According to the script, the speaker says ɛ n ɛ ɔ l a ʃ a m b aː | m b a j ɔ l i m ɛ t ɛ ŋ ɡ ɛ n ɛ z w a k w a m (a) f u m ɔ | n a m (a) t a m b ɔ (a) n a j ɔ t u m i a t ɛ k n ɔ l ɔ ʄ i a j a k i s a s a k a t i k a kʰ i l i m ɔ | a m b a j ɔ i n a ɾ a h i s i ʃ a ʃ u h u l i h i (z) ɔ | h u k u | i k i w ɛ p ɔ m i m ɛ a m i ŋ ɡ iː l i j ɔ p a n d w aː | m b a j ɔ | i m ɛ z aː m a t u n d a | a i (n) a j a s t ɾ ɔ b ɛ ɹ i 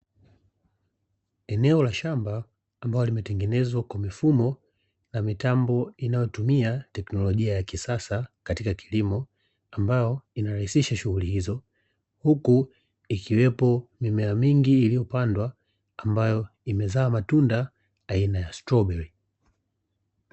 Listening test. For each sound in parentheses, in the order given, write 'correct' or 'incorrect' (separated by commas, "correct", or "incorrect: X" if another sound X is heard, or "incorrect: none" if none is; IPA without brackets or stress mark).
incorrect: i, incorrect: i, incorrect: i, correct, correct